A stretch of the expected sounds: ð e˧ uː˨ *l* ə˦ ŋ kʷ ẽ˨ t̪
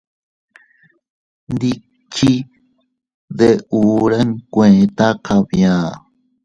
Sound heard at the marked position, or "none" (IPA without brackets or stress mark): ɾ